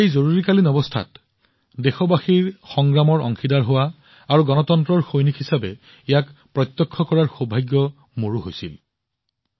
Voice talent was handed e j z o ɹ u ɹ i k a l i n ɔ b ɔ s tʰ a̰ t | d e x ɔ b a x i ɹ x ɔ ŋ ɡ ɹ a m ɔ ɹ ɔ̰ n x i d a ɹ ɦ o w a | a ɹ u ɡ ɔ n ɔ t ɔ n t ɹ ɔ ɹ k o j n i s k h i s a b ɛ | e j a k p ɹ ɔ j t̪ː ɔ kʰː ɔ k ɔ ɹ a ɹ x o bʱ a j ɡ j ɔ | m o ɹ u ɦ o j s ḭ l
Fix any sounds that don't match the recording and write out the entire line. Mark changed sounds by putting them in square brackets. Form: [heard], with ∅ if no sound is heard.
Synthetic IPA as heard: e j z o ɹ u ɹ i k a l i n ɔ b ɔ s tʰ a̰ t | d e x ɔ b a x i ɹ x ɔ ŋ ɡ ɹ a m ɔ ɹ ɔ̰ [ŋ] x i d a ɹ ɦ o w a | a ɹ u ɡ ɔ n ɔ t ɔ n t ɹ ɔ ɹ [x] o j n i [∅] k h i s a b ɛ | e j a k p ɹ ɔ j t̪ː ɔ kʰː ɔ k ɔ ɹ a ɹ x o bʱ a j ɡ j ɔ | m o ɹ u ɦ o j s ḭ l